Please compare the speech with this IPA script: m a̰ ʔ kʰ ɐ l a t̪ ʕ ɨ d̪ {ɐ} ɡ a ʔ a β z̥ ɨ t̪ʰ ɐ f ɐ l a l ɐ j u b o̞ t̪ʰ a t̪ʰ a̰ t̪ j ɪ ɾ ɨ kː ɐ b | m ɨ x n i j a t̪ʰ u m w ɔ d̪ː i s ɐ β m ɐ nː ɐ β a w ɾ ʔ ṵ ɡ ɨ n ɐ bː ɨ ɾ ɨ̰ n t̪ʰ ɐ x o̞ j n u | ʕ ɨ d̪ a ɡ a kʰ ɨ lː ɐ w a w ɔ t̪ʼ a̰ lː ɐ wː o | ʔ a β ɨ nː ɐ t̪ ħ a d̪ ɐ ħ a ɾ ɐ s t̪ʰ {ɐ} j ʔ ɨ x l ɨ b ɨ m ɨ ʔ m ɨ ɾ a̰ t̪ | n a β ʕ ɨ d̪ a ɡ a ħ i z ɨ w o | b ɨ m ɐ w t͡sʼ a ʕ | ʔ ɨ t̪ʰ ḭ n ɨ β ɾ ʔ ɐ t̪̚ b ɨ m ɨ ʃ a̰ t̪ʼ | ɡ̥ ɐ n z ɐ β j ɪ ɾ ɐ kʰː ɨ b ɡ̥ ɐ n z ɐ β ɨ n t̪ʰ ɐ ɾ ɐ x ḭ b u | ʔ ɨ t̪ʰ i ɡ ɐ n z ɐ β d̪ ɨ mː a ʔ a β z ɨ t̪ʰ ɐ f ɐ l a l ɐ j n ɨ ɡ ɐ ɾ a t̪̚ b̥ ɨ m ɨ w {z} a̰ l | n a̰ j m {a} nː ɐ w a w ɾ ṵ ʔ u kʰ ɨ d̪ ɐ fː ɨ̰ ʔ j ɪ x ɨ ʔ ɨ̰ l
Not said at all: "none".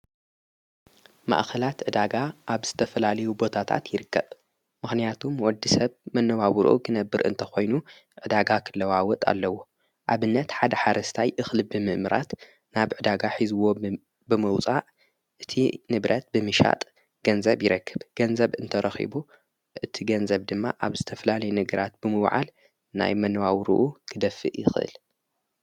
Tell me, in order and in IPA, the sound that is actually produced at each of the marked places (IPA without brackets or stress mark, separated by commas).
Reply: a, a, ʕ, ɐ